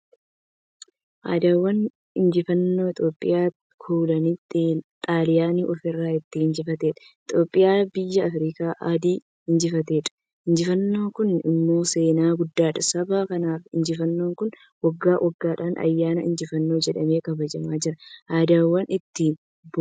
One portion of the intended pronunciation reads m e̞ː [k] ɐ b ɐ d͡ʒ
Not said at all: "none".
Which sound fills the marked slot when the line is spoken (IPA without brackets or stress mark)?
k